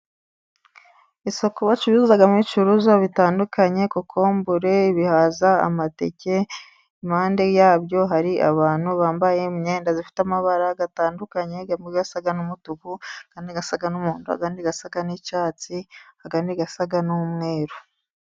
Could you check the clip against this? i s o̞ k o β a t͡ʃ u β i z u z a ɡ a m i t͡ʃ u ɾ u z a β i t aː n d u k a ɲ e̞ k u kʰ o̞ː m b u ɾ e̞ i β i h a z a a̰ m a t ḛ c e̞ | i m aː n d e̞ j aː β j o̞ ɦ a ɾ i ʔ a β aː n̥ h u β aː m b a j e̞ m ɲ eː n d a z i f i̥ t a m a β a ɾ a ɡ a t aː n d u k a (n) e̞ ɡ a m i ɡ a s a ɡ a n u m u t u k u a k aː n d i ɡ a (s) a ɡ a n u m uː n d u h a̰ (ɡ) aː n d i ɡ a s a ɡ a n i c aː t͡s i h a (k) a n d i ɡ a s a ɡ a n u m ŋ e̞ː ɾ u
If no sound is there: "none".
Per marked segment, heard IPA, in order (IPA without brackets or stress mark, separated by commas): ɲ, s, ɡ, ɡ